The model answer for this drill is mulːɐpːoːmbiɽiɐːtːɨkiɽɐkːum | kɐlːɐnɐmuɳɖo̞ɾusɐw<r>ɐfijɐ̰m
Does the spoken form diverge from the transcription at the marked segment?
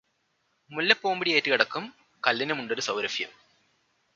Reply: yes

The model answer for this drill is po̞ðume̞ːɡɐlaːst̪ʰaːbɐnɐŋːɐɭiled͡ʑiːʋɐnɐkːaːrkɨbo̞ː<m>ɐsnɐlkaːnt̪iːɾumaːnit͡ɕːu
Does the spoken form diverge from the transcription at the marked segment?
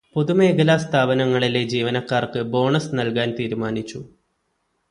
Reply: yes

